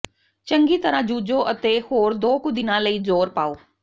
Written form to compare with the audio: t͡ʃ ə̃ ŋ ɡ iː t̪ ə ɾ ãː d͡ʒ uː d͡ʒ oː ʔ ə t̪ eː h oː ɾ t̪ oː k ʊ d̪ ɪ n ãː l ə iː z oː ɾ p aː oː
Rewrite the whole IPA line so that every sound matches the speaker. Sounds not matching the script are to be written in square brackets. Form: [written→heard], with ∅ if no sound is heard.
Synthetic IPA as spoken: t͡ʃ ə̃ ŋ ɡ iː t̪ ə ɾ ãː d͡ʒ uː d͡ʒ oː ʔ ə t̪ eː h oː ɾ [t̪→d̪] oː k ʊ d̪ ɪ n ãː l ə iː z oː ɾ p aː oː